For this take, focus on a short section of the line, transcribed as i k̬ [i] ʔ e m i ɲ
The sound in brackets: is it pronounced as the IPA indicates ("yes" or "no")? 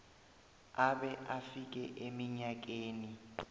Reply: no